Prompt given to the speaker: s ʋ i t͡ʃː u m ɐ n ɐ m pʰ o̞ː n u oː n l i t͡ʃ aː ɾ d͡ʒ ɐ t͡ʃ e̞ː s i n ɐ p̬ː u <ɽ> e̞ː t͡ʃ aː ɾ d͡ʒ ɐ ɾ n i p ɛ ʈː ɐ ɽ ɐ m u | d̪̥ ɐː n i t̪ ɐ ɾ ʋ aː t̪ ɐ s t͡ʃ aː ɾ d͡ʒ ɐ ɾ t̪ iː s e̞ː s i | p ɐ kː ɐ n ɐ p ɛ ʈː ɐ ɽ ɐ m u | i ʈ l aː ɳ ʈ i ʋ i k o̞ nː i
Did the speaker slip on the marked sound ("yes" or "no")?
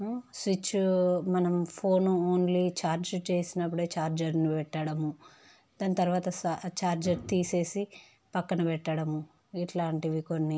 no